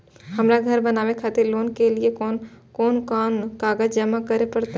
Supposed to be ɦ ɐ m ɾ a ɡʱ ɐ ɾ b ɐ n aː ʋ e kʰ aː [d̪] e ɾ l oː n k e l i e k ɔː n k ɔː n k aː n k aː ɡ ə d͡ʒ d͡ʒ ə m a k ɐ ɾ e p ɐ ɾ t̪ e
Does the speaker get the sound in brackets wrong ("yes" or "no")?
yes